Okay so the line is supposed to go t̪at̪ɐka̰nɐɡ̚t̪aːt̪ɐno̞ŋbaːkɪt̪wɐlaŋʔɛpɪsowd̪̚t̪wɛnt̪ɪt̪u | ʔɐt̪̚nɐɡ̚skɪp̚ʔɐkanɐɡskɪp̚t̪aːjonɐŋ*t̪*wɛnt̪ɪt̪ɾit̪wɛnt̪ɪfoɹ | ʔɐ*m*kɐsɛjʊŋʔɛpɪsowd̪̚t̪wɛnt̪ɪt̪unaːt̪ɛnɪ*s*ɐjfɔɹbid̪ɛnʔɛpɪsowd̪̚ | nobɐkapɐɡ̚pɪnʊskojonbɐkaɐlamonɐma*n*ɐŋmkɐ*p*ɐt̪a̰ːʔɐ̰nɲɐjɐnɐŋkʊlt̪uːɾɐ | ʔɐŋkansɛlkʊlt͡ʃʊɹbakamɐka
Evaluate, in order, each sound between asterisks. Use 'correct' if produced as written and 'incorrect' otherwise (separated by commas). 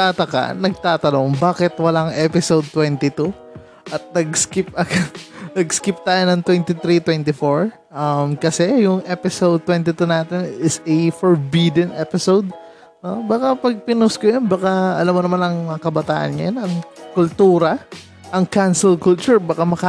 correct, correct, correct, correct, incorrect